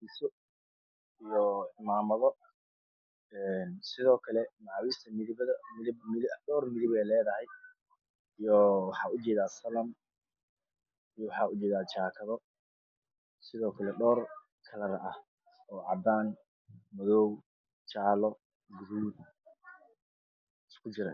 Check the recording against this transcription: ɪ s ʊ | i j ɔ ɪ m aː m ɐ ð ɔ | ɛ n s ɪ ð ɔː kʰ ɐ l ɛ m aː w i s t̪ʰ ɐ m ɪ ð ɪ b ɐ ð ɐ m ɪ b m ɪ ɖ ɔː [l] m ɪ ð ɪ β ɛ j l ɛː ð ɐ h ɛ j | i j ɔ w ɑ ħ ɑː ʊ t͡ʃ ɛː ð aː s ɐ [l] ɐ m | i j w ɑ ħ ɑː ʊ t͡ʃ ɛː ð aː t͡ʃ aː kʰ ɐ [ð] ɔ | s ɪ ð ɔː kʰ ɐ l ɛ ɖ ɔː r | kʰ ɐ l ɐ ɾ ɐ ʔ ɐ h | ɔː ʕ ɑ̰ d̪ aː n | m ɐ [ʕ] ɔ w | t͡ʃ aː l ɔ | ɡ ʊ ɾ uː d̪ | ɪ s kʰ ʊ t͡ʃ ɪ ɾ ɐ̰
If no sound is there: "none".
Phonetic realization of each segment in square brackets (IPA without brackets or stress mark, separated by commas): r, l, ð, ð